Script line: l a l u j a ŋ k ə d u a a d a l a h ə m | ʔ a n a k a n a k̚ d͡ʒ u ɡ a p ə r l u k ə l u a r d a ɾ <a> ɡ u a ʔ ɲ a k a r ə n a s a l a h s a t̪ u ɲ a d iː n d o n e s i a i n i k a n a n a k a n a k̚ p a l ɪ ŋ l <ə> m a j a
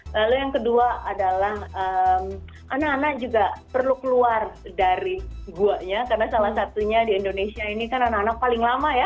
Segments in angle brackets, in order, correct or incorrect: incorrect: i, incorrect: a

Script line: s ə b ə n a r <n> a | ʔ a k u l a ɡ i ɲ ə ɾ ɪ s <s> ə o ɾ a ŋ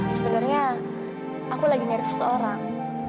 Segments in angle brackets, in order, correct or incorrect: incorrect: ɲ, correct

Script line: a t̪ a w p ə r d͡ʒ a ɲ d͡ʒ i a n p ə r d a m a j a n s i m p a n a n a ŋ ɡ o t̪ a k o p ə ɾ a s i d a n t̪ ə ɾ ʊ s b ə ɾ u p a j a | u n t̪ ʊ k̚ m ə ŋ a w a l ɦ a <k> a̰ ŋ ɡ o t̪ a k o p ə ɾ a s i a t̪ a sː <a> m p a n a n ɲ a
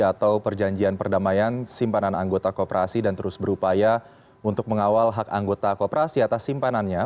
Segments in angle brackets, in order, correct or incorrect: correct, incorrect: i

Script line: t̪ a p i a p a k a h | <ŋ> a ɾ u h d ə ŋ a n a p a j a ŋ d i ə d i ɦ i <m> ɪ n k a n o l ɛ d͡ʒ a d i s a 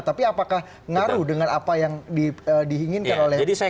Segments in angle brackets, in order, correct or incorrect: correct, incorrect: ŋ

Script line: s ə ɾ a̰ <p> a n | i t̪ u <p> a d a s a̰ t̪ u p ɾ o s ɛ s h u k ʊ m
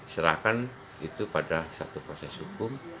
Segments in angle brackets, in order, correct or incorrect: incorrect: k, correct

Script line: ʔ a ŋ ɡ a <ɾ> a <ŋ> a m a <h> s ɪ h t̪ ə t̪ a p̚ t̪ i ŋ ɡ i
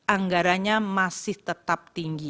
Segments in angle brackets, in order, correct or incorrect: correct, incorrect: ɲ, incorrect: none

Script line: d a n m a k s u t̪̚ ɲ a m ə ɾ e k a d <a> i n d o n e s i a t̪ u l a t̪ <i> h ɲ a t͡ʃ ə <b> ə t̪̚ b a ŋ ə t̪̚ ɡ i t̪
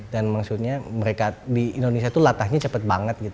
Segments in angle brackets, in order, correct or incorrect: incorrect: i, incorrect: a, incorrect: p

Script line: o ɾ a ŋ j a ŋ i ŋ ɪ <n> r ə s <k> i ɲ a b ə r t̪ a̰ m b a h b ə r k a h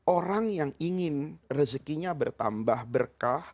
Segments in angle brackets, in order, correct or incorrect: correct, correct

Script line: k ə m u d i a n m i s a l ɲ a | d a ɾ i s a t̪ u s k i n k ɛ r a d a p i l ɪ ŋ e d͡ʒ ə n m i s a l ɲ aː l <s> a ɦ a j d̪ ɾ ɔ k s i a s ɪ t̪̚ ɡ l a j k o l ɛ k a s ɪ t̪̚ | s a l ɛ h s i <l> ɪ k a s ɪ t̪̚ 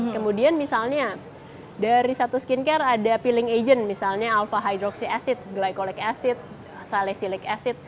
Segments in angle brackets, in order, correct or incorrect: incorrect: f, correct

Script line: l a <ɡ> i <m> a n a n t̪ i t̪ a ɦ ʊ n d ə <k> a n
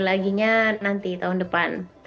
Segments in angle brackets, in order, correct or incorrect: correct, incorrect: ɲ, incorrect: p

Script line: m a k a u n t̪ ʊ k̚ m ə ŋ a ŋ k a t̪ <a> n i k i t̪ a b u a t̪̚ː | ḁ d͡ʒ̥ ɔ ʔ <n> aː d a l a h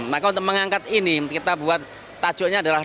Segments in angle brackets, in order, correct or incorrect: incorrect: i, incorrect: ɲ

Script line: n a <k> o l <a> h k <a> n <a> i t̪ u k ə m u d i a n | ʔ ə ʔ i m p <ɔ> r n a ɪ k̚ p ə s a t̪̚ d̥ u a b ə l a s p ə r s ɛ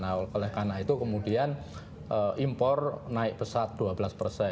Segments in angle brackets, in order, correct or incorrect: correct, incorrect: ɛ, correct, correct, correct

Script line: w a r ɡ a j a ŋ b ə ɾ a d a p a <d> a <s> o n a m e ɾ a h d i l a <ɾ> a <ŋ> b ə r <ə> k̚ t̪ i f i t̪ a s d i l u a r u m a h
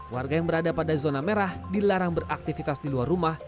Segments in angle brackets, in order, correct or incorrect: correct, incorrect: z, correct, correct, incorrect: a

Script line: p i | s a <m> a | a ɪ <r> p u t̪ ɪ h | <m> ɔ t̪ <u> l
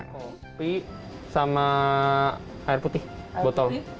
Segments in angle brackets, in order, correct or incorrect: correct, correct, incorrect: b, incorrect: ɔ

